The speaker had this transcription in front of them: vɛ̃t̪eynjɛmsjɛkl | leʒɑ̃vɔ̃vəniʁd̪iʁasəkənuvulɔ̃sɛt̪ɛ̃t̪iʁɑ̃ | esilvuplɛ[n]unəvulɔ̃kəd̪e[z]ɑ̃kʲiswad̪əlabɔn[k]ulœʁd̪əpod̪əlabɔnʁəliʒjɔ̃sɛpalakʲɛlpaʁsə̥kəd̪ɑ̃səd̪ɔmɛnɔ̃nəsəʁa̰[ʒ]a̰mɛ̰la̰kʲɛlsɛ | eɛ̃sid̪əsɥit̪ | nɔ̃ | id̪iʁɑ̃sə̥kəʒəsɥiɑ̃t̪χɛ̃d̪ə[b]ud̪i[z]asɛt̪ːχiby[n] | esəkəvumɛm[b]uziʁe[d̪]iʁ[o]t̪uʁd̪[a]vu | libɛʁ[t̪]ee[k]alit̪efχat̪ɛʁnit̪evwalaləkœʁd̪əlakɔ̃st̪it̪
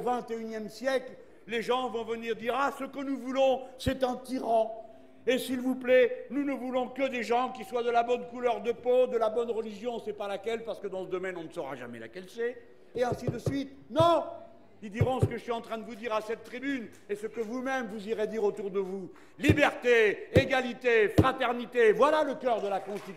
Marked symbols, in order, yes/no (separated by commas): yes, no, yes, yes, no, no, yes, no, yes, yes, no, yes, no